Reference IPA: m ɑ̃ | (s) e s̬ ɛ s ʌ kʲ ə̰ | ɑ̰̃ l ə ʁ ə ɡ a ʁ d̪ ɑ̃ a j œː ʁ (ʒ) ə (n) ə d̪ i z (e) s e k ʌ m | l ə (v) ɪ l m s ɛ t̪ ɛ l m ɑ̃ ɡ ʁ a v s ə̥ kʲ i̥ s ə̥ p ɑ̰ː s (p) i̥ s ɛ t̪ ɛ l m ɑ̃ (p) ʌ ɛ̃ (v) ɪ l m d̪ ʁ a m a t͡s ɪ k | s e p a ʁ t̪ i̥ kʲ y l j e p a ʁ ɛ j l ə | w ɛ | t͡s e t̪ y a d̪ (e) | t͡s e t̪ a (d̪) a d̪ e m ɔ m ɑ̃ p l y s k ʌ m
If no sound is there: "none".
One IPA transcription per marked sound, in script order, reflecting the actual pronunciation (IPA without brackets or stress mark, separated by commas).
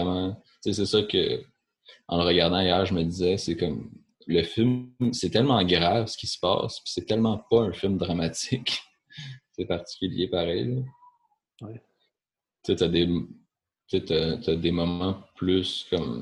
t͡s, ʒ, m, ɛ, f, p, p, f, e, t̪